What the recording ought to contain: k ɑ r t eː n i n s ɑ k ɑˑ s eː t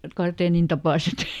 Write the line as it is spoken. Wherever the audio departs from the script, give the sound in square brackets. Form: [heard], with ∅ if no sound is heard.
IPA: k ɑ r t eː n i n [t] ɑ [p] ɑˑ s [e] t